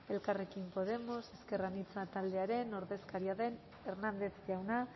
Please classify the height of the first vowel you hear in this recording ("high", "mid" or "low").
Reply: mid